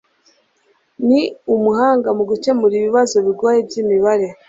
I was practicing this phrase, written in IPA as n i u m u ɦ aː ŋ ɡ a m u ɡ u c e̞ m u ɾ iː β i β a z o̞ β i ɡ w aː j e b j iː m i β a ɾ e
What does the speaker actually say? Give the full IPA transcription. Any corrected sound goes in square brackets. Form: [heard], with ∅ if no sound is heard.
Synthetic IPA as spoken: n i u m u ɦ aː ŋ ɡ a m u ɡ u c e̞ m u ɾ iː β i β a z o̞ β i ɡ w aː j e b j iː m i β a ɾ e